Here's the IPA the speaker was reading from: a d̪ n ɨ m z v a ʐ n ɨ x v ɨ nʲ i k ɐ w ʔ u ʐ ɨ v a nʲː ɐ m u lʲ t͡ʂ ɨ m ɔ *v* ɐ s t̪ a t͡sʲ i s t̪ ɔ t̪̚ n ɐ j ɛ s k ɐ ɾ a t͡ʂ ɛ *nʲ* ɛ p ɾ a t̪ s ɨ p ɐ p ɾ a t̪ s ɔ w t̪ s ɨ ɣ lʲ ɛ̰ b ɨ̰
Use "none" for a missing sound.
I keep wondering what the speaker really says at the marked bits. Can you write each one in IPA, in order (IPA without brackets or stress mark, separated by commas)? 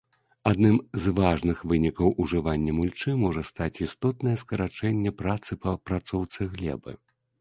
ʐ, nʲː